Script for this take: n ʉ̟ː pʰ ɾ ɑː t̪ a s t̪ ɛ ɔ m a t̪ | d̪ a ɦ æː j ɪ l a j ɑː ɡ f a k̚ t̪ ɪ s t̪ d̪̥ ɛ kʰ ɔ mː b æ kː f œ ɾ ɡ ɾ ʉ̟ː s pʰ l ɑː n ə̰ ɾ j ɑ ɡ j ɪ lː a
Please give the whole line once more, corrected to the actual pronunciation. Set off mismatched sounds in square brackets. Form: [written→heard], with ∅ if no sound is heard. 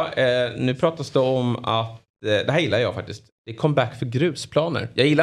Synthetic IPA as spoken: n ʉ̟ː pʰ ɾ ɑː t̪ a s [t̪→d̪] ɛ ɔ m a t̪ | d̪ [a→ɛ] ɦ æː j ɪ [l→lː] a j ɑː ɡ f a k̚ t̪ ɪ s t̪ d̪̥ ɛ kʰ ɔ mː b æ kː f œ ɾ ɡ ɾ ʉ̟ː s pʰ l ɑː n ə̰ ɾ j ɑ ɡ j ɪ lː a